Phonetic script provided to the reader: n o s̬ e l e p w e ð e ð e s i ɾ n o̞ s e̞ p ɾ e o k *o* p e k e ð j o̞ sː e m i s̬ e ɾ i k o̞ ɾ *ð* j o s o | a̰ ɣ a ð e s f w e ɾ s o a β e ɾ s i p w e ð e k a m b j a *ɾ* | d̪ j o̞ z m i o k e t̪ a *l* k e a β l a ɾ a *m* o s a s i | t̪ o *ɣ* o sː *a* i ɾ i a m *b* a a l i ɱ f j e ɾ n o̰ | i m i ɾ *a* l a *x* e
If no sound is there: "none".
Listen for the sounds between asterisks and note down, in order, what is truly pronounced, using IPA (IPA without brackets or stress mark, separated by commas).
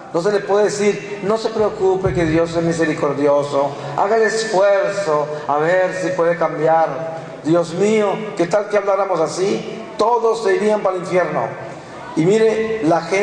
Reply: u, ð, ɾ, l, m, ð, e, p, e, x